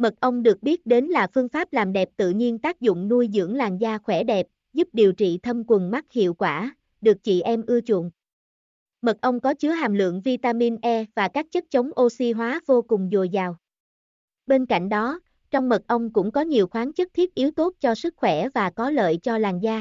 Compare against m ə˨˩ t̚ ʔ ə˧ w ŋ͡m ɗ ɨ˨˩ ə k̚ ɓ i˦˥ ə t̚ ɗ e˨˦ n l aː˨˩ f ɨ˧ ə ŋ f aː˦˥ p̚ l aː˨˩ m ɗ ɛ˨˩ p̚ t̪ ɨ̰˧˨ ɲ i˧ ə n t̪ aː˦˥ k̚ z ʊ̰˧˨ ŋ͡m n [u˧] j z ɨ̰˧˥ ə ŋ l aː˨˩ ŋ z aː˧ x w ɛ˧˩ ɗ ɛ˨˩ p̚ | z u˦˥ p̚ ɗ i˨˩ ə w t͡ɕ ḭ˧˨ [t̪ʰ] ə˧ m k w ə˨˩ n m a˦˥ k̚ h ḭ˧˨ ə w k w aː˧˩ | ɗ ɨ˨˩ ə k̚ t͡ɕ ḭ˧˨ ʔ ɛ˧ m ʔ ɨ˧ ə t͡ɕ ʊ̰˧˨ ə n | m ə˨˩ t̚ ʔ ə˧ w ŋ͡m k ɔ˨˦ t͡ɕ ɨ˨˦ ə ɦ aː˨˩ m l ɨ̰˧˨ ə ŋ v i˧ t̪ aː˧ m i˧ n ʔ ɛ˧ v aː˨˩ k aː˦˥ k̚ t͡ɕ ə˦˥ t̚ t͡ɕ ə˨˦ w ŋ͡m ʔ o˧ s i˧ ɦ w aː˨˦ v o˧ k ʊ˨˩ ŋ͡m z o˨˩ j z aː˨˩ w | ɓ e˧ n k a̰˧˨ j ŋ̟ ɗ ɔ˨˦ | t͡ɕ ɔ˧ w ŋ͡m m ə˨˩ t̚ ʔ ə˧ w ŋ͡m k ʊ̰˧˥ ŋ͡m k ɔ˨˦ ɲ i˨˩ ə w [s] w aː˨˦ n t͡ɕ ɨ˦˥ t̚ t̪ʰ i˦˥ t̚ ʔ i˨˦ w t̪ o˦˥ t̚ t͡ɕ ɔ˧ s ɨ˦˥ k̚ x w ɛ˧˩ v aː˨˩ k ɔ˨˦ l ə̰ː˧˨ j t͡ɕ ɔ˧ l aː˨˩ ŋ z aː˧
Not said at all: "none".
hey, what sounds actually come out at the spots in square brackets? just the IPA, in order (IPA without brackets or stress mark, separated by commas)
u˧, t̪ʰ, x